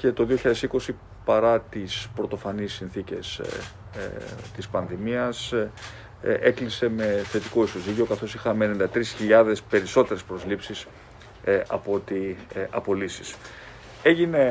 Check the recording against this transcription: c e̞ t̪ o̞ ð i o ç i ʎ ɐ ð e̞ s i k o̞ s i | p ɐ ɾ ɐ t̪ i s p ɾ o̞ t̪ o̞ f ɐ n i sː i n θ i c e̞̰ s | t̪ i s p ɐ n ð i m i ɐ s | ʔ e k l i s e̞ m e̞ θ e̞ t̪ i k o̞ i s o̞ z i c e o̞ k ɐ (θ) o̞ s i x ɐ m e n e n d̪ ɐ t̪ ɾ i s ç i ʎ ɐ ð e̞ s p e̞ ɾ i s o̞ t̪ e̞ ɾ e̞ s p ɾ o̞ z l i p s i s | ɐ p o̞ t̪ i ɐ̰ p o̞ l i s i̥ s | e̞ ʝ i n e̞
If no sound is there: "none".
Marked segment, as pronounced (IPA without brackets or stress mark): θ